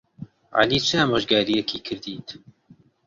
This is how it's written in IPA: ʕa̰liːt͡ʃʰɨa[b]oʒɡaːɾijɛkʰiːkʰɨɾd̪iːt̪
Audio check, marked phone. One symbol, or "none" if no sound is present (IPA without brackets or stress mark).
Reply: m